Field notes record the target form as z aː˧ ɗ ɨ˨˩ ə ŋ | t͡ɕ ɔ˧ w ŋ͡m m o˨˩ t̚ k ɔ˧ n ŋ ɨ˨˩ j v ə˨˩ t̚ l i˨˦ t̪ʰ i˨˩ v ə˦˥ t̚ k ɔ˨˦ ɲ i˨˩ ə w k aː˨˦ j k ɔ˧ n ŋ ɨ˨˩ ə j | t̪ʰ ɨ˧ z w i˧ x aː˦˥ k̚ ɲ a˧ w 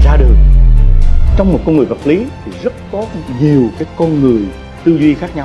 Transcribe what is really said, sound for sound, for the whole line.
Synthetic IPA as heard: z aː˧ ɗ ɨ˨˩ ə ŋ | t͡ɕ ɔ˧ w ŋ͡m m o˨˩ t̚ k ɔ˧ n ŋ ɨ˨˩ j v ə˨˩ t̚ l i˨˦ t̪ʰ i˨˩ z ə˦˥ t̚ k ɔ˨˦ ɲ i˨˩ ə w k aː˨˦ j k ɔ˧ n ŋ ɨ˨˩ ə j | t̪ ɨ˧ z w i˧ x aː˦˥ k̚ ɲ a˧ w